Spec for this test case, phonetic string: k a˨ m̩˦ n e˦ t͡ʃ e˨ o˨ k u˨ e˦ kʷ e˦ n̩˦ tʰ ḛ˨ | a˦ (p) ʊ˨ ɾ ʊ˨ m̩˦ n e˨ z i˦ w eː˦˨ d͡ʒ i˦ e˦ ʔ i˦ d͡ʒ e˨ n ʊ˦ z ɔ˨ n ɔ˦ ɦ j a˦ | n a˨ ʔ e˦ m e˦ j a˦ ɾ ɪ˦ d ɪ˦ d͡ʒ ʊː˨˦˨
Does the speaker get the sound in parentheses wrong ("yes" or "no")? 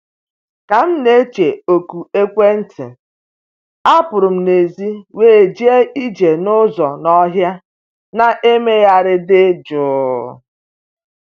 no